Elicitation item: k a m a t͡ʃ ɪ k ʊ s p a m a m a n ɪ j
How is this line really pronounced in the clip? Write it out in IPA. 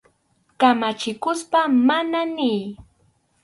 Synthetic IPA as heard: k a m a t͡ʃ ɪ k ʊ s p a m a n a n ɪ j

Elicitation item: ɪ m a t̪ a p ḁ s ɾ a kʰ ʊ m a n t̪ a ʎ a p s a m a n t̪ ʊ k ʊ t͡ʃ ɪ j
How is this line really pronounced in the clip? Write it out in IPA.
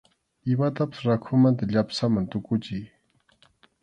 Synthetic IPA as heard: ɪ m a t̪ a p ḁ s ɾ a kʰ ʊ m a n t̪ a ʎ a p s a m a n t̪ ʊ k ʊ t͡ʃ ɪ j

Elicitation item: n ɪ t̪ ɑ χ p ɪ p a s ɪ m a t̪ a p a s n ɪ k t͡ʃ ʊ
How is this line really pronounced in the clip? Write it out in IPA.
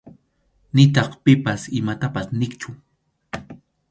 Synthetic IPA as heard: n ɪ t̪ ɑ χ p ɪ p a s ɪ m a t̪ a p a s n ɪ k t͡ʃ ʊ

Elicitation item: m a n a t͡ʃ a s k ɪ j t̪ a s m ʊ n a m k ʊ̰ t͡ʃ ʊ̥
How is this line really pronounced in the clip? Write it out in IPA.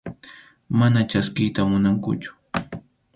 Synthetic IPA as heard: m a n a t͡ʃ a s k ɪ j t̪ a m ʊ n a ŋ k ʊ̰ t͡ʃ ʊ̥

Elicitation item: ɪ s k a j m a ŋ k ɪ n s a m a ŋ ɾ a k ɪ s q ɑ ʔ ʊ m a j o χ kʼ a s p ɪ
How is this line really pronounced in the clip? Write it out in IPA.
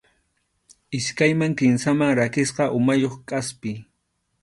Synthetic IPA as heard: ɪ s k a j m a ŋ k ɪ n s a m a ŋ ɾ a k ɪ s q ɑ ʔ ʊ m a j o χ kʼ a s p ɪ

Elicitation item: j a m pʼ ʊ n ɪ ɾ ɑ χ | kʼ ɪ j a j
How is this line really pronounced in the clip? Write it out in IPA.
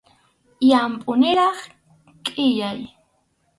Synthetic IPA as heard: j a m pʼ ʊ n ɪ ɾ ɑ χ | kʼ ɪ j a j

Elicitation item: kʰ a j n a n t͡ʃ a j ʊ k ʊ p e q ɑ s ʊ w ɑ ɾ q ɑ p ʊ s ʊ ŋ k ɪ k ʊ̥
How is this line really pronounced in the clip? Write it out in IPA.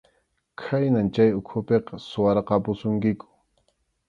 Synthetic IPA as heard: kʰ a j n a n t͡ʃ a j ʊ kʰ ʊ p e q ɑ s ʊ w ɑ ɾ q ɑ p ʊ s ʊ ŋ k ɪ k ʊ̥

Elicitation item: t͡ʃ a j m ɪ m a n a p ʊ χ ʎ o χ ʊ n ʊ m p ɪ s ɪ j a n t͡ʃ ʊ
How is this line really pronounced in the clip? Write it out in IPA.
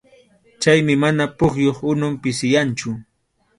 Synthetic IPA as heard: t͡ʃ a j m ɪ m a n a p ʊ χ j o χ ʊ n ʊ m p ɪ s ɪ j a n t͡ʃ ʊ

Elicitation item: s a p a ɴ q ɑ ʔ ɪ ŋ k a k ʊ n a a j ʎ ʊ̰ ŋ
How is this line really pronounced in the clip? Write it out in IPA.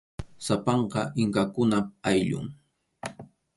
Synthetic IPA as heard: s a p ɑ ɴ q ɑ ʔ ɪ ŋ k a k ʊ n a a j ʎ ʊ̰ ŋ

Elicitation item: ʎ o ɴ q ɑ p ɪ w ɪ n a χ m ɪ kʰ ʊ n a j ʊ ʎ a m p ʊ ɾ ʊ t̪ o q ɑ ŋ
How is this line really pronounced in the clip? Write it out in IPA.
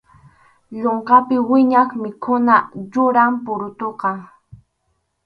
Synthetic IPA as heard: ʎ o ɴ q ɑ p ɪ w ɪ ɲ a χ m ɪ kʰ ʊ n a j ʊ ɾ a m p ʊ ɾ ʊ t̪ o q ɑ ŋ

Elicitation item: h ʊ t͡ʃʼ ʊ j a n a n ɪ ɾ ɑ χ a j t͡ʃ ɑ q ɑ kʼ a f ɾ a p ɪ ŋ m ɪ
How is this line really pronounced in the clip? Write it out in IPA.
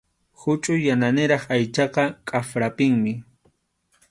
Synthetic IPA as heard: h ʊ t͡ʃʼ ʊ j a n a n ɪ ɾ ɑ χ a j t͡ʃ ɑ q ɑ kʼ a f ɾ a p ɪ ŋ m ɪ

